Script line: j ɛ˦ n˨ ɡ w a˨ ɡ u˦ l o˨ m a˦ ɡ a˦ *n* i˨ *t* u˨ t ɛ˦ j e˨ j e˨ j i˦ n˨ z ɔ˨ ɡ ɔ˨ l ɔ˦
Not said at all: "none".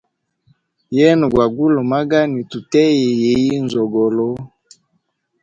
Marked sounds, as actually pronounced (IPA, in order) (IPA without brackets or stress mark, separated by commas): n, t